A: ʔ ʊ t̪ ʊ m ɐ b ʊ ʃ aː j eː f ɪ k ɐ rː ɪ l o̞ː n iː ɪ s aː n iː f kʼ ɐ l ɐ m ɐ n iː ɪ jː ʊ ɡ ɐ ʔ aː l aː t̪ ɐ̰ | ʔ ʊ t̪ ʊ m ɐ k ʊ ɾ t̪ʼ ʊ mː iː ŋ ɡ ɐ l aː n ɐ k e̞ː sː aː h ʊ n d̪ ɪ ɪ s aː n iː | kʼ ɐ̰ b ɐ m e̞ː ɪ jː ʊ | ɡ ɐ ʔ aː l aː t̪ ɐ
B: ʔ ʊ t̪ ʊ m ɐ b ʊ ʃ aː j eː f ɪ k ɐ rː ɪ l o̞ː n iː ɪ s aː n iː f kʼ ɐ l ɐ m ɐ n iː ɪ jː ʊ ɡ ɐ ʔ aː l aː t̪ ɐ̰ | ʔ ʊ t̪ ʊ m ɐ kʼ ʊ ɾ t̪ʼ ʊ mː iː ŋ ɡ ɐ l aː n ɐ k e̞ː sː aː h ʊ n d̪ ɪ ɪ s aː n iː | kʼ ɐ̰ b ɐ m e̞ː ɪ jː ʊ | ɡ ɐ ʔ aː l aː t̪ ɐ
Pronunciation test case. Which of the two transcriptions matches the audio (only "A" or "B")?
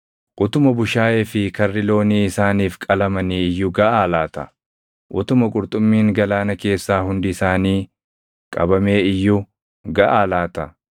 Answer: B